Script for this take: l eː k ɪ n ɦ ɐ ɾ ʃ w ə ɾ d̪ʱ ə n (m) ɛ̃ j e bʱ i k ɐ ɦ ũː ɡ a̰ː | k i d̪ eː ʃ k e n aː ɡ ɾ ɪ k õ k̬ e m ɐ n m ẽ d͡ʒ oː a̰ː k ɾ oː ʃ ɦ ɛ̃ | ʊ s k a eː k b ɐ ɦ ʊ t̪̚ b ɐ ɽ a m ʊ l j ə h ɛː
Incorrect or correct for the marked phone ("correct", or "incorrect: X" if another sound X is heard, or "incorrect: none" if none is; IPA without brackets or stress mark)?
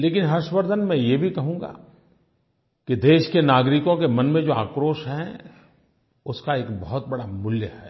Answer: correct